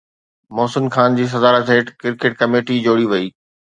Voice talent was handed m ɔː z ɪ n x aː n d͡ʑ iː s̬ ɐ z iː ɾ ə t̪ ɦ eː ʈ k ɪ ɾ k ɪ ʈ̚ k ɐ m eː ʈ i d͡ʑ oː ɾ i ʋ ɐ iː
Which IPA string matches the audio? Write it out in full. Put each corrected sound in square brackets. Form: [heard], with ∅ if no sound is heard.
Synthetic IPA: m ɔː [s] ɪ n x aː n d͡ʑ iː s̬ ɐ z [aː] ɾ ə t̪ ɦ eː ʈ k ɪ ɾ k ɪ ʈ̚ k ɐ m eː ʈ i d͡ʑ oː [ɽ] i ʋ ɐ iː